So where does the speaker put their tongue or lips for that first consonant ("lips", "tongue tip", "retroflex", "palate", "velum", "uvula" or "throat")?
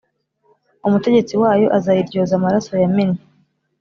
lips